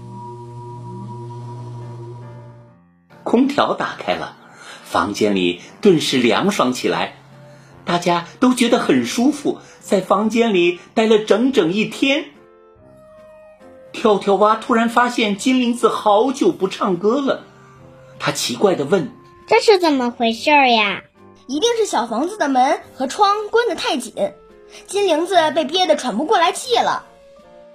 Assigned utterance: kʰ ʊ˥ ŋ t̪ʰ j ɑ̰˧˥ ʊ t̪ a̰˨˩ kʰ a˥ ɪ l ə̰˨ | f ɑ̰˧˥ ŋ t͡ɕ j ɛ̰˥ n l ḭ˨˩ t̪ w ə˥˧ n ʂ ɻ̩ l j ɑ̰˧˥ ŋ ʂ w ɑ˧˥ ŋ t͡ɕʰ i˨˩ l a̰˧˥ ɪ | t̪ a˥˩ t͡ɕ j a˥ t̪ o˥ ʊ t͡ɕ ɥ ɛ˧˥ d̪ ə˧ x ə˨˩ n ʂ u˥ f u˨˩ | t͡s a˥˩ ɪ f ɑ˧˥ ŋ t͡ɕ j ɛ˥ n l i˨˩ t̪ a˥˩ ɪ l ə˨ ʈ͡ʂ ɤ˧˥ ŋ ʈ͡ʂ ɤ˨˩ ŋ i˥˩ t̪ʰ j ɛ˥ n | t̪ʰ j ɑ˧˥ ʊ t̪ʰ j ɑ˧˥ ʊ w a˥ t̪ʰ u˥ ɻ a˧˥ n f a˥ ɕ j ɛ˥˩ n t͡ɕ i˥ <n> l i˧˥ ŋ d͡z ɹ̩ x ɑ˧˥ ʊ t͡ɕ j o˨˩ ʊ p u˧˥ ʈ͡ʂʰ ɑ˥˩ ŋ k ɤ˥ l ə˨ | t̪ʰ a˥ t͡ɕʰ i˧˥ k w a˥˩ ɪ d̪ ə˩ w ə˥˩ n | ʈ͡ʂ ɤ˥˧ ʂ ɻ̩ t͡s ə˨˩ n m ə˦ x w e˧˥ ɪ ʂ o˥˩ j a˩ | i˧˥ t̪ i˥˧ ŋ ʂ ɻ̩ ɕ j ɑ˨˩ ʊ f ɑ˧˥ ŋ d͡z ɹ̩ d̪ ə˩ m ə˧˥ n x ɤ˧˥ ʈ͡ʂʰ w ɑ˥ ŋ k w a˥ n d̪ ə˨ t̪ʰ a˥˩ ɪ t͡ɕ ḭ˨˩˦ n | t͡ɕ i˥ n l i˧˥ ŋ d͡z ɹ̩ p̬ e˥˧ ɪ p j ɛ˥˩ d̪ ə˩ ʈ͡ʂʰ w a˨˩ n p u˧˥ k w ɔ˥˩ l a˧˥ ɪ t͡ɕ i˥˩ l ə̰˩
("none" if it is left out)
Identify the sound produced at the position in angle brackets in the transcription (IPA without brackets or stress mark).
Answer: n